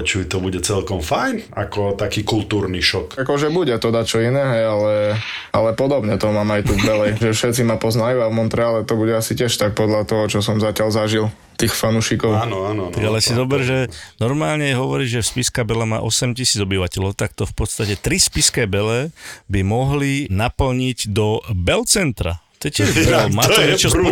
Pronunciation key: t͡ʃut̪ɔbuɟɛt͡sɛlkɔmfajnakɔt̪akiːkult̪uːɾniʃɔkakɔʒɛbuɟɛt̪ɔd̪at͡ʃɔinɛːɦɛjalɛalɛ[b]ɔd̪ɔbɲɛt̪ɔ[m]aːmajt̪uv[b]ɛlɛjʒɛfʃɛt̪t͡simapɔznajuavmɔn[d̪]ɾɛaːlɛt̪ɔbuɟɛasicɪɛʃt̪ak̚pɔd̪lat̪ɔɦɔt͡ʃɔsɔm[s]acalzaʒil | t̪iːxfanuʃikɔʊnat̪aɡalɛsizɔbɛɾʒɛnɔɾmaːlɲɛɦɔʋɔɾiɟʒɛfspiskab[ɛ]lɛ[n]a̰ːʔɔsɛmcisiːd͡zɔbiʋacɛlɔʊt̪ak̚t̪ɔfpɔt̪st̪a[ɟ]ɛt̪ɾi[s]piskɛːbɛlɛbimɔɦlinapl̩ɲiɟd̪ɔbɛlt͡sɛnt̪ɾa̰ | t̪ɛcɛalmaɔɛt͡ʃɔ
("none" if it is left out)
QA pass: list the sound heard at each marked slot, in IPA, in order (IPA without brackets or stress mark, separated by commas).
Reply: p, m, b, t̪, z, ɛ, m, c, s